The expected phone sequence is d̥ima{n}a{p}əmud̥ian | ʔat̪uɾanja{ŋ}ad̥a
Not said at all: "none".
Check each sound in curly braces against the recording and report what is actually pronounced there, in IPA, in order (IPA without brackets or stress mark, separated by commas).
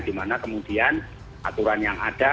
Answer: n, k, ŋ